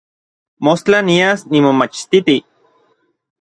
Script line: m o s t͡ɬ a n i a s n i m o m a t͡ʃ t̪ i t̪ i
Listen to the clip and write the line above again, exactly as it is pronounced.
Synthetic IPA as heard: m o s t͡ɬ a n i a s n i m o m a t͡ʃ t̪ i t̪ i

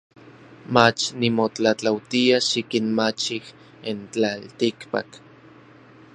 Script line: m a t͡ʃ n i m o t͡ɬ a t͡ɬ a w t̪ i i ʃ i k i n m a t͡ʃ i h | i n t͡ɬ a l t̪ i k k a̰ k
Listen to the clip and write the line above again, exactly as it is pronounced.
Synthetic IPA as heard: m a t͡ʃ n i m o t͡ɬ a t͡ɬ a w t̪ i a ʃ i k i n m a t͡ʃ i h | i n t͡ɬ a l t̪ i k p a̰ k

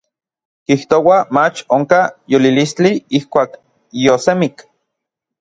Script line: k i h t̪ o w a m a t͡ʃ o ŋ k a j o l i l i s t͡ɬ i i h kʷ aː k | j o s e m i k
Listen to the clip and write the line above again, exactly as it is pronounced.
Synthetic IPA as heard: k i h t̪ o w a m a t͡ʃ o ŋ k a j o l i l i s t͡ɬ i i h kʷ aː k | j o s e m i k

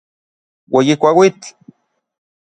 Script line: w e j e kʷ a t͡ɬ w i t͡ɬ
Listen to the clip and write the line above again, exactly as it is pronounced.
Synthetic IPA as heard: w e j i kʷ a w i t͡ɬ

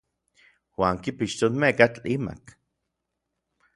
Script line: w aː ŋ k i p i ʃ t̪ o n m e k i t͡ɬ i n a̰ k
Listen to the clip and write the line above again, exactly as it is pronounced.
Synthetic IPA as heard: w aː ŋ k i p i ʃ t̪ o n m e k a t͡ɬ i m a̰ k

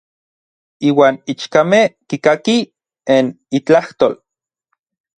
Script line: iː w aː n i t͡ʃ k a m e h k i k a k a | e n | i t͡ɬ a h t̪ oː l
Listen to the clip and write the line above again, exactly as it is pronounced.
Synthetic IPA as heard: iː w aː n i t͡ʃ k a m e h k i k a k i | e n | i t͡ɬ a h t̪ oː l

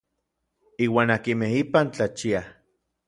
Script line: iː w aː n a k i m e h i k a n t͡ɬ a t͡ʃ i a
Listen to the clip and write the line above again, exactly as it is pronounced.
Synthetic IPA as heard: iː w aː n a k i m e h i p a n t͡ɬ a t͡ʃ i a

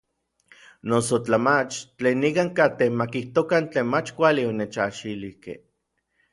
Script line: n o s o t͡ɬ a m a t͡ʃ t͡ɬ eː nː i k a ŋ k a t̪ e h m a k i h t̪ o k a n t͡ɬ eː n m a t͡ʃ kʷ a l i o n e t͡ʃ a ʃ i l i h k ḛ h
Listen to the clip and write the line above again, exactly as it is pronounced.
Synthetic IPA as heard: n o s o t͡ɬ a m a t͡ʃ t͡ɬ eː nː i k a ŋ k a t̪ e h m a k i h t̪ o k a n t͡ɬ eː n m a t͡ʃ kʷ a l i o n e t͡ʃ a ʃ i l i h k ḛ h

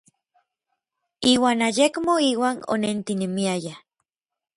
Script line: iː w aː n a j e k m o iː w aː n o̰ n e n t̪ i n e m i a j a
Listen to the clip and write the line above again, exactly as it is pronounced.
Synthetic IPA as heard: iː w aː n a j e k m o iː w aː n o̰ n e n t̪ i n e m i a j a

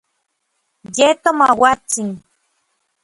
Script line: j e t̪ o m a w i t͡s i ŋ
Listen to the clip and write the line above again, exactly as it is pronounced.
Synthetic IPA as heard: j e t̪ o m a w a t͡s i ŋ

